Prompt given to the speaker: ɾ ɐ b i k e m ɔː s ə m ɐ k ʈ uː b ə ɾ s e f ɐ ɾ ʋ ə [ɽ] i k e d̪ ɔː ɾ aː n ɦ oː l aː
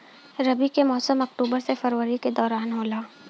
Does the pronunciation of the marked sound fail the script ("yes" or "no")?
yes